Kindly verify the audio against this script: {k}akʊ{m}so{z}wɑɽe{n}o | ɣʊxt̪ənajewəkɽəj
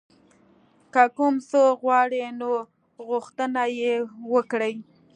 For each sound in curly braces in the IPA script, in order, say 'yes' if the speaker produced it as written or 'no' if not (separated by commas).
yes, yes, no, yes